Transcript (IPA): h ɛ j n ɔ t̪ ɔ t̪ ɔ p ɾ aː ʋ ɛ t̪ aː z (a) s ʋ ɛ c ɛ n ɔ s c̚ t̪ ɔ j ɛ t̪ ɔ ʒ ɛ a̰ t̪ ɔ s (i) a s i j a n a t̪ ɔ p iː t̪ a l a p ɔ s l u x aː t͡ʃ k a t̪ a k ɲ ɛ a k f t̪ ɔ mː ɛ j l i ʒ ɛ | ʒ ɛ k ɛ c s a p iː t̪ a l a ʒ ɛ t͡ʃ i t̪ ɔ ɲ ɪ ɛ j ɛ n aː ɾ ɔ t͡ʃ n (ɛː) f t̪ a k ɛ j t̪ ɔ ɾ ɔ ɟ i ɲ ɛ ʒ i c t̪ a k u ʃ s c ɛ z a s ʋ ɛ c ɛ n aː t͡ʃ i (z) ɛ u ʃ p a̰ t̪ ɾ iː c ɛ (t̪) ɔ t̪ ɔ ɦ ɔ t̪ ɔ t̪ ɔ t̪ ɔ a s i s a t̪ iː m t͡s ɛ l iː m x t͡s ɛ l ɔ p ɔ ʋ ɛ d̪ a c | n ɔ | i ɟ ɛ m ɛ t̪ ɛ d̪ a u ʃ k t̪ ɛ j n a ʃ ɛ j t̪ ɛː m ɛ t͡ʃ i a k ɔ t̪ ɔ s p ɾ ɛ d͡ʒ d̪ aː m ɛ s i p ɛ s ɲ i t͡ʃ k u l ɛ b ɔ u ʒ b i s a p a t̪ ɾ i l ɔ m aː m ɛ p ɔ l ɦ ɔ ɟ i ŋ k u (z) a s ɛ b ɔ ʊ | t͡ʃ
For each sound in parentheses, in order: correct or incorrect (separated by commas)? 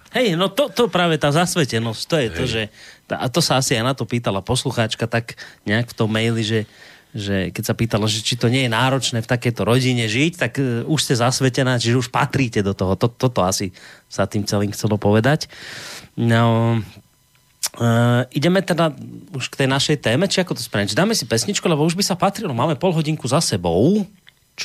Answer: correct, incorrect, correct, incorrect, incorrect, correct